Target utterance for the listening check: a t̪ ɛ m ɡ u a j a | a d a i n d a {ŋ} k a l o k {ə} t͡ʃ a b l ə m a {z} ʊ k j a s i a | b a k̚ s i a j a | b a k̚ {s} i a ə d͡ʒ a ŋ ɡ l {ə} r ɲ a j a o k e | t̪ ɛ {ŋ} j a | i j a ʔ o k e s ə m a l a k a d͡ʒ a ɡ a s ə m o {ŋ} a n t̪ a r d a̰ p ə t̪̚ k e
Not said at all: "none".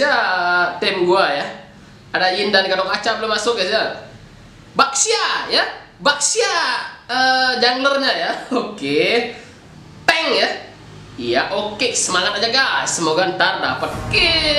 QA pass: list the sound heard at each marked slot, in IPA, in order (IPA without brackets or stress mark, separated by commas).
n, a, s, s, ə, ŋ, ɡ